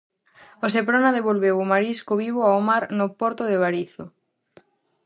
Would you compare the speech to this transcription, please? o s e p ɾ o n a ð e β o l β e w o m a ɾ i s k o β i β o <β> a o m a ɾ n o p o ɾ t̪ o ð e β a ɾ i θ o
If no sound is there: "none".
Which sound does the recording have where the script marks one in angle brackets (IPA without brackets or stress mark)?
none